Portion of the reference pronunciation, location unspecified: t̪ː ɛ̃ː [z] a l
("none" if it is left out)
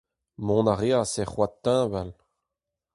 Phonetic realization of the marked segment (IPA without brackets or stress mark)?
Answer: v